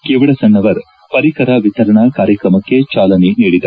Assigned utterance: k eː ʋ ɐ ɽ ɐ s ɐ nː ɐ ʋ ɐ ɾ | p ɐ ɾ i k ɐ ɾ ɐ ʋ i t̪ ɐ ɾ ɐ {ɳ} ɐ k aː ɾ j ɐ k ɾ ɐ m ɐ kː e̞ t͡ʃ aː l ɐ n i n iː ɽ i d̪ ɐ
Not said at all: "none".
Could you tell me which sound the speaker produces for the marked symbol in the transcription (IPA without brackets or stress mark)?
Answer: ɳ